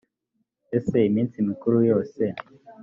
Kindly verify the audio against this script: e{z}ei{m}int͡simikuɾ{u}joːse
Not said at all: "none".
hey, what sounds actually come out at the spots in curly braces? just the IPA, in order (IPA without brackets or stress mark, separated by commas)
s, m, u